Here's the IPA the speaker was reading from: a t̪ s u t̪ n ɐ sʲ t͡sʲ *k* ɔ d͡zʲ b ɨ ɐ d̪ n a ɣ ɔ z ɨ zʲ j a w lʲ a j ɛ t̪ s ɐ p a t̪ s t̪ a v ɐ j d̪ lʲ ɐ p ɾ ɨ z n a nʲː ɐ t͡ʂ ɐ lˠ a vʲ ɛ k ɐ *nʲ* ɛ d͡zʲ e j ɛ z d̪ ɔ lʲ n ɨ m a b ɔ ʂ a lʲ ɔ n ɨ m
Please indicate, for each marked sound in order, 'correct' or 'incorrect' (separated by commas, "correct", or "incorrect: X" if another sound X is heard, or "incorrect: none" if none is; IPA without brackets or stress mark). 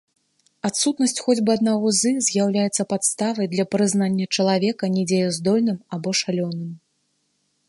incorrect: x, correct